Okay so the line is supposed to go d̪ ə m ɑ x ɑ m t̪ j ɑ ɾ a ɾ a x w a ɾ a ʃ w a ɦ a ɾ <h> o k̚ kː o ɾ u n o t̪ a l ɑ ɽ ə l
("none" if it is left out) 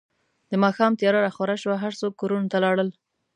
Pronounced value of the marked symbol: s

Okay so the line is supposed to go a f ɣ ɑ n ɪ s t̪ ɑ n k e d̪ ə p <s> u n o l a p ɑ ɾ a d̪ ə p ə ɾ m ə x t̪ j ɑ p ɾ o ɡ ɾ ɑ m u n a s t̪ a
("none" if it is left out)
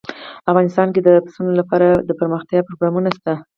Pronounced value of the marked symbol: s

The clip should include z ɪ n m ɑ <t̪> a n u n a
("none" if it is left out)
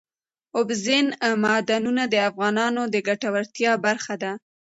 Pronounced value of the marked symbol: d̪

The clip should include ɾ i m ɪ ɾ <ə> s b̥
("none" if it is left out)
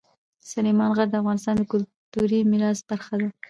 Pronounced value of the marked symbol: ɑ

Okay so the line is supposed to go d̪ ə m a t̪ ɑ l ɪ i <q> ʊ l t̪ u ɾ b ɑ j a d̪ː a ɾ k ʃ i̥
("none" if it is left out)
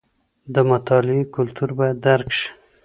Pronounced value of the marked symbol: k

